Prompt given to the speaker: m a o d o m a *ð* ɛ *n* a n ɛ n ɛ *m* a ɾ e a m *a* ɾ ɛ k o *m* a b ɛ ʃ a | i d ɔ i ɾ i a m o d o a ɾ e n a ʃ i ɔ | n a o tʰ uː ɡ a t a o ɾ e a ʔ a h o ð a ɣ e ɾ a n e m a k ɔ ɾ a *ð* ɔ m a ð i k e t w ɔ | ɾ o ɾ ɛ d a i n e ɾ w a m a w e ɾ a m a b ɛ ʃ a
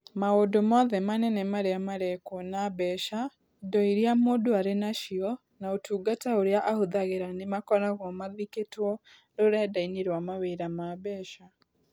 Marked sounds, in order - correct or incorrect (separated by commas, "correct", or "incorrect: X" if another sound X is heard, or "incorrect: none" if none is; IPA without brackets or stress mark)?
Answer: correct, incorrect: m, correct, correct, incorrect: n, incorrect: ɣ